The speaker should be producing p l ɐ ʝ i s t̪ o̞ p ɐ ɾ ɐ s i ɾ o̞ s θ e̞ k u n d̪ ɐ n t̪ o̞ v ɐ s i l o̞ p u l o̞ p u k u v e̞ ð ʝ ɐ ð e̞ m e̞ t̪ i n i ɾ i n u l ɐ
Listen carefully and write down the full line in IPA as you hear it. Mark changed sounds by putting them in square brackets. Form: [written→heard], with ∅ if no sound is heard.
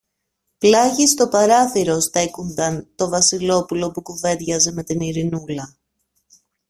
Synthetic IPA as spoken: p l ɐ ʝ i s t̪ o̞ p ɐ ɾ ɐ [s→θ] i ɾ o̞ s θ e̞ k u n d̪ ɐ n t̪ o̞ v ɐ s i l o̞ p u l o̞ p u k u v e̞ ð ʝ ɐ [ð→z] e̞ m e̞ t̪ i n i ɾ i n u l ɐ